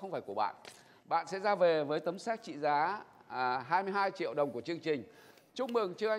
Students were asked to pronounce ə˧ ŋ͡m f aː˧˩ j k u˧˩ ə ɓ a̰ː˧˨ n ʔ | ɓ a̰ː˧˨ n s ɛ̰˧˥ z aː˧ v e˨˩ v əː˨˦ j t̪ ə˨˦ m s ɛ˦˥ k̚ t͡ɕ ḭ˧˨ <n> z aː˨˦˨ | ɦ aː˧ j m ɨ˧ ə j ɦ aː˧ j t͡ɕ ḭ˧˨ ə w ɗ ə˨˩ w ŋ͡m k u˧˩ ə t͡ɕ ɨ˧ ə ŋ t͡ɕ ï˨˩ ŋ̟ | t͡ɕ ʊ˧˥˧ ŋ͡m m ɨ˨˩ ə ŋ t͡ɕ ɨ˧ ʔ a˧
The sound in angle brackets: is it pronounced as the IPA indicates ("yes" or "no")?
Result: no